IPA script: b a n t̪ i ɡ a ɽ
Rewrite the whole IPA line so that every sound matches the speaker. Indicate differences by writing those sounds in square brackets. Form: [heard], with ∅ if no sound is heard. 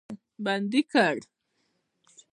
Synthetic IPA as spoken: b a n [d̪] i [k] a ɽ